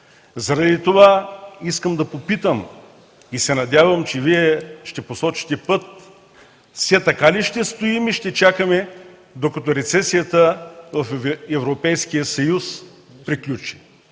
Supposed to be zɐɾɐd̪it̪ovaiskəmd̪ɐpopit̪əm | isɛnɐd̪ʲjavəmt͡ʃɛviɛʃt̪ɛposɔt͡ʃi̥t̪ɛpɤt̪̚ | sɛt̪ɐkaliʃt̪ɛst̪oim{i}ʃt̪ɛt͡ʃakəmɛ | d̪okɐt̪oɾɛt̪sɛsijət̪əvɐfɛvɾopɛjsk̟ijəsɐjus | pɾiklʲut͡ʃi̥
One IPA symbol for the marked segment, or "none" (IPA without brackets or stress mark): i